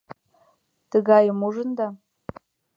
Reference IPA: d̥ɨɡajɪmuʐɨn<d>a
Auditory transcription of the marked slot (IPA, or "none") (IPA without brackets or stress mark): d